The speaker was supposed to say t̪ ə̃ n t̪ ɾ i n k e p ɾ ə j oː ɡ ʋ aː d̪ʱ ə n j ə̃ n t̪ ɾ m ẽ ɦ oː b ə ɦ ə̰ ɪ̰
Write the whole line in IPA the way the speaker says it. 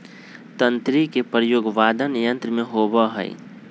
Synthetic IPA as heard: t̪ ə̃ n t̪ ɾ i k e p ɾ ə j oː ɡ ʋ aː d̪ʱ ə n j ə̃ n t̪ ɾ m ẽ ɦ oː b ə ɦ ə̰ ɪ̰